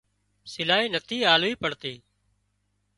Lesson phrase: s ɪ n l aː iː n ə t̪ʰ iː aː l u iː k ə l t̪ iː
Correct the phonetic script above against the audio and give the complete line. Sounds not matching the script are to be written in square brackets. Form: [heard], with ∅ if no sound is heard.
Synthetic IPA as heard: s ɪ [∅] l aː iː n ə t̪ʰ iː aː l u iː [p] ə [ɽ] t̪ iː